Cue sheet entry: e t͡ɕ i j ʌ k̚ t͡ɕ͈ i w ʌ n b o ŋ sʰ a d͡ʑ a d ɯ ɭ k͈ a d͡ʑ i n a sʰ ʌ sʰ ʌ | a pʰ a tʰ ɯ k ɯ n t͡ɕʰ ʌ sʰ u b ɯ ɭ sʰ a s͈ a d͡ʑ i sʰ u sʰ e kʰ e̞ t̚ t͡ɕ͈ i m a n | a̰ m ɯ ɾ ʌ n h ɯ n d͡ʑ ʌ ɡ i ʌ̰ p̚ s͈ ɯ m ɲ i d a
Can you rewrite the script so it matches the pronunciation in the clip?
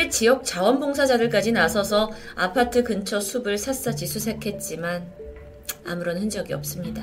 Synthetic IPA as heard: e t͡ɕ i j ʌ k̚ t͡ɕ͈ a w ʌ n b o ŋ sʰ a d͡ʑ a d ɯ ɭ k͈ a d͡ʑ i n a sʰ ʌ sʰ ʌ | a pʰ a tʰ ɯ k ɯ n t͡ɕʰ ʌ sʰ u b ɯ ɭ sʰ a s͈ a d͡ʑ i sʰ u sʰ e kʰ e̞ t̚ t͡ɕ͈ i m a n | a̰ m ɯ ɾ ʌ n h ɯ n d͡ʑ ʌ ɡ i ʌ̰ p̚ s͈ ɯ m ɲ i d a